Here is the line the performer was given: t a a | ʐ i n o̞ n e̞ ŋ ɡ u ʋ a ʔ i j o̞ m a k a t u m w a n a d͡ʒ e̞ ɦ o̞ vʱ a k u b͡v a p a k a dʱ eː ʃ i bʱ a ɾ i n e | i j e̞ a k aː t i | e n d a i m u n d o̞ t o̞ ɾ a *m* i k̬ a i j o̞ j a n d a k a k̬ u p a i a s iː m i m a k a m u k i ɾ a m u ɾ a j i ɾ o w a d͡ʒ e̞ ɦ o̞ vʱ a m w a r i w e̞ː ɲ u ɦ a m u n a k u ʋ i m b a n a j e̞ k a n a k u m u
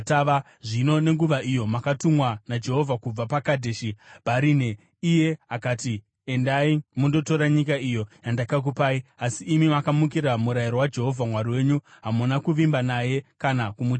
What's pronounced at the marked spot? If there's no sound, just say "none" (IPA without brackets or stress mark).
ɲ